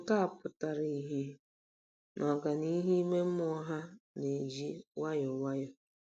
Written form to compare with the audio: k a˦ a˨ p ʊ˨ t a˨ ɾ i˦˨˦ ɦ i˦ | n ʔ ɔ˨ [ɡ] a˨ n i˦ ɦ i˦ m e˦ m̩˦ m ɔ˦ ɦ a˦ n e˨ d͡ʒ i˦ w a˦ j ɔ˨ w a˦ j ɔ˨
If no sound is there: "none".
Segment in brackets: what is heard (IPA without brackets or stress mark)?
ɡ